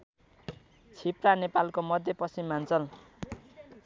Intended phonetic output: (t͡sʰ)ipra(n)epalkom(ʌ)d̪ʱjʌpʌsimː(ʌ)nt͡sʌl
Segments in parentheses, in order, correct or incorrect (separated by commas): correct, correct, correct, incorrect